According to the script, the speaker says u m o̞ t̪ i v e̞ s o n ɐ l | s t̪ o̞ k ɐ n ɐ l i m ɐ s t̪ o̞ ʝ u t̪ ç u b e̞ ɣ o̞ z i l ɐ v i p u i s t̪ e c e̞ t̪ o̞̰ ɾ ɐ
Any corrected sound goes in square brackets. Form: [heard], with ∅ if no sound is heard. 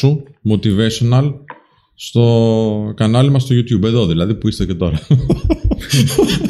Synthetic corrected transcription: u m o̞ t̪ i v e̞ s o n ɐ l | s t̪ o̞ k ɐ n ɐ l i m ɐ s t̪ o̞ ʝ u t̪ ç u b e̞ [ð] o̞ [ð] i l ɐ [ð] i p u i s t̪ e c e̞ t̪ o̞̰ ɾ ɐ